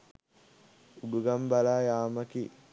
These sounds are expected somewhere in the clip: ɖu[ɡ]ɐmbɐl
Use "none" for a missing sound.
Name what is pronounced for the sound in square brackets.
ɡ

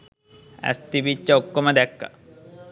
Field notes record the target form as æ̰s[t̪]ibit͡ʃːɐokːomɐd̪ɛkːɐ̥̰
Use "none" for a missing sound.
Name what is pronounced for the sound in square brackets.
t̪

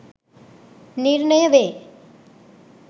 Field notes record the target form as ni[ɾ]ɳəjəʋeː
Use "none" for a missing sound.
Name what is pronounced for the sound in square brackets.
ɾ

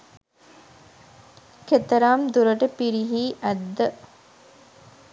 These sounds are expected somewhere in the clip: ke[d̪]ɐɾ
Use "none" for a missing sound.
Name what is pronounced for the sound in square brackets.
t̪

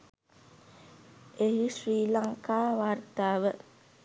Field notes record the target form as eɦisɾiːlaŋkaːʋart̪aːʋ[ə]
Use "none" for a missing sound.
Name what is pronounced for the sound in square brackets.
ə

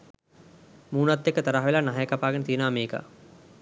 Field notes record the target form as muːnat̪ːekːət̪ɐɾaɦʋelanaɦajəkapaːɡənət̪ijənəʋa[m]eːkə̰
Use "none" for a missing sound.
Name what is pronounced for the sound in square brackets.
m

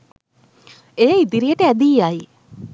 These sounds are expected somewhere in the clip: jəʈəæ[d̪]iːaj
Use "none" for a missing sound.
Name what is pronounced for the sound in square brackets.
d̪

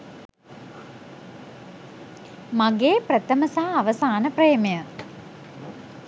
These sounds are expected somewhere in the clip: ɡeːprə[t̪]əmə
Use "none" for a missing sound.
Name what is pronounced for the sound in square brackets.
t̪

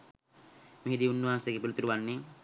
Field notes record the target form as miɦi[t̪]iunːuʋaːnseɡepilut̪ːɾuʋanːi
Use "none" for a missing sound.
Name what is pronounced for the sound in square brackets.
d̪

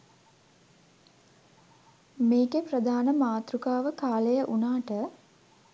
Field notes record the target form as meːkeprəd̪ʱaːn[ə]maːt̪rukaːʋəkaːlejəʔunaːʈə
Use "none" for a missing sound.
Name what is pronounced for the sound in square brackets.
ə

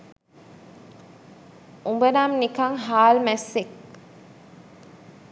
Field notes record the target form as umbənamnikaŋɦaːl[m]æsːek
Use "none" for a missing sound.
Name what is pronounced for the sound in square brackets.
m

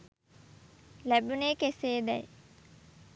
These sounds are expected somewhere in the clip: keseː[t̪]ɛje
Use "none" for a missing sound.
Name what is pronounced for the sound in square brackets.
d̪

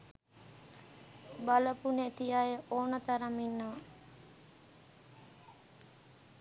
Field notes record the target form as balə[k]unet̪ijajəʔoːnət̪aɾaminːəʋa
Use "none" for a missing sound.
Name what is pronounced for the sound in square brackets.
p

